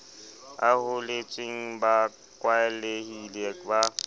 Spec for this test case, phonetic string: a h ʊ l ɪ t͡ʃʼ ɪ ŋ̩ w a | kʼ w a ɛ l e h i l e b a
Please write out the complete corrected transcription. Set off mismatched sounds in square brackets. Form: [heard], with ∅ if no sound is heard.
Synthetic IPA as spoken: a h ʊ l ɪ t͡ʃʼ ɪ ŋ̩ [b] a | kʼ w a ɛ l e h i l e b a

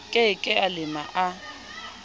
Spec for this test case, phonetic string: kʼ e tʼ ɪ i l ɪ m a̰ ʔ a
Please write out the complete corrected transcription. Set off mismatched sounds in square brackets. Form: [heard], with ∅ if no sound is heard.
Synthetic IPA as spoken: kʼ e [kʼ] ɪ [a] l ɪ m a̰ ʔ a

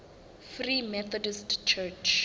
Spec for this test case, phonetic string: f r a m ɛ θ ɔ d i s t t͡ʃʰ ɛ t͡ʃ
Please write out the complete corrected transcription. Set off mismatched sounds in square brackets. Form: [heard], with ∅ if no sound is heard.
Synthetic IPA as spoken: f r [i] m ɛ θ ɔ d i s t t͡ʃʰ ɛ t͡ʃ

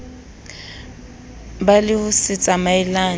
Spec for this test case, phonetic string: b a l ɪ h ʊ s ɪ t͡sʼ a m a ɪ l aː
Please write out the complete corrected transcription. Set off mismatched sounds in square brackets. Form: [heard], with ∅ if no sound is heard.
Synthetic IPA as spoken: b a l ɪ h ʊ s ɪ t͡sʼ a m a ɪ l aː

